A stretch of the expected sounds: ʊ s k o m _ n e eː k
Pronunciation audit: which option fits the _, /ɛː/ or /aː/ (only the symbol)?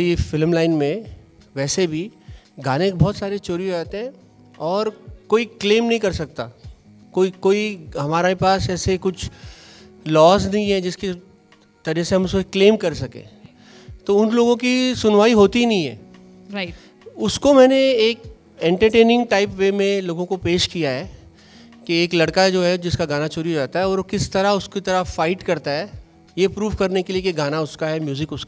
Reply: ɛː